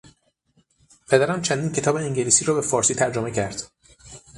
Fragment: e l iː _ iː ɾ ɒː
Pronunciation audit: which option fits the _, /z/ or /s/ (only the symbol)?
s